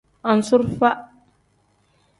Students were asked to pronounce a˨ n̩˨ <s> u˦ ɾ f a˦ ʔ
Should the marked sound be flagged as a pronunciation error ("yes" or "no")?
no